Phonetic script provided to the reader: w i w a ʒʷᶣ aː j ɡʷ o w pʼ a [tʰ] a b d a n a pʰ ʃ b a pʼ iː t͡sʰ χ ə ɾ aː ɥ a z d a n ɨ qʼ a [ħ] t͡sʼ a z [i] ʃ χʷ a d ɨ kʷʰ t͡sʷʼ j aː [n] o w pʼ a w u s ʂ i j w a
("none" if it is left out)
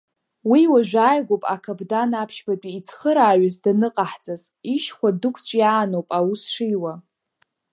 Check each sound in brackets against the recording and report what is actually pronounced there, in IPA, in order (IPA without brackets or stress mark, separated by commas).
kʰ, ħ, i, n